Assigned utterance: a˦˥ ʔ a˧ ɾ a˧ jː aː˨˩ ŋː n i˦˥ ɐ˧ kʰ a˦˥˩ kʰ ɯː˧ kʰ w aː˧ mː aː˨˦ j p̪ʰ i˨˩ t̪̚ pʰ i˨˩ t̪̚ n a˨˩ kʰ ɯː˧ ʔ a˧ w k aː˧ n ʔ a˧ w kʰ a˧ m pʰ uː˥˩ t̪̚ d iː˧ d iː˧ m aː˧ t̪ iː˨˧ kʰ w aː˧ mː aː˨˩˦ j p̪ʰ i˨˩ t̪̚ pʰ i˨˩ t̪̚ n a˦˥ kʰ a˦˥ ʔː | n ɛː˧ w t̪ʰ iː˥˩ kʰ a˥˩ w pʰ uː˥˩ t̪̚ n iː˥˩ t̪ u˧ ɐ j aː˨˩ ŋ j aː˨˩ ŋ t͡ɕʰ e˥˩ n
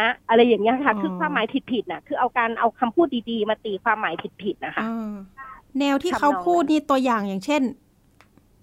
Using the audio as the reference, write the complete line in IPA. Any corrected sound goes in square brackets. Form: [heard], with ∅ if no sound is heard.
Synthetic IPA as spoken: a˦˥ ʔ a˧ ɾ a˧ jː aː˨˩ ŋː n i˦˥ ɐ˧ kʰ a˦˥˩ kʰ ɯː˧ kʰ w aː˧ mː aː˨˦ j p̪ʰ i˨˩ t̪̚ pʰ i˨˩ t̪̚ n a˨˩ kʰ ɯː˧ ʔ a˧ w k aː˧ n ʔ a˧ w kʰ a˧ m pʰ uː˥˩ t̪̚ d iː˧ d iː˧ m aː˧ t̪ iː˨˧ kʰ w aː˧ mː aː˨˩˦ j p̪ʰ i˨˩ t̪̚ pʰ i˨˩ t̪̚ n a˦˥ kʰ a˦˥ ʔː | n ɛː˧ w t̪ʰ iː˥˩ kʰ [a˦˥] w pʰ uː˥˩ t̪̚ n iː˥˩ t̪ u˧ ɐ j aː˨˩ ŋ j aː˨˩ ŋ t͡ɕʰ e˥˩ n